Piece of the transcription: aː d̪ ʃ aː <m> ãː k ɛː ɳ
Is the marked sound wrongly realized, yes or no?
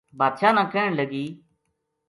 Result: yes